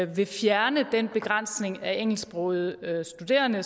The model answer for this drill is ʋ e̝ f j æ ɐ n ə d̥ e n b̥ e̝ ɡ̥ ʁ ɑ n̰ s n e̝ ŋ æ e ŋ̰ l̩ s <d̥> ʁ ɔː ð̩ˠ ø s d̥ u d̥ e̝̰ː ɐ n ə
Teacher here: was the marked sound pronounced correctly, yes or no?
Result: no